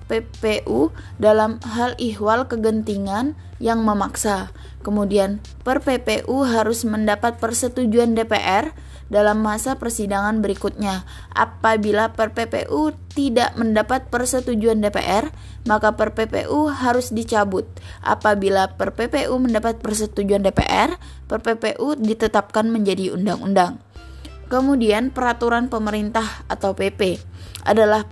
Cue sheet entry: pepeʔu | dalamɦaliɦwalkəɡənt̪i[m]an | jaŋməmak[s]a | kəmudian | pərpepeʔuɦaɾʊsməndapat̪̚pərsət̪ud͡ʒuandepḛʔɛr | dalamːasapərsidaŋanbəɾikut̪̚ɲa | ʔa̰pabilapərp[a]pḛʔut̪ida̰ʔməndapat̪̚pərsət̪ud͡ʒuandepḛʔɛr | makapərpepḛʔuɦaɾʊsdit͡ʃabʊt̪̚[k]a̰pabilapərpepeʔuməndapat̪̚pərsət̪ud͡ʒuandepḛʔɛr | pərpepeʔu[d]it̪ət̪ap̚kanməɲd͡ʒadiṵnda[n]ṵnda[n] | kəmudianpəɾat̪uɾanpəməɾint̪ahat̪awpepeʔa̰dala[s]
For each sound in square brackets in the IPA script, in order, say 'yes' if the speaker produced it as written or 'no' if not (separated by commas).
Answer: no, yes, no, no, yes, no, no, no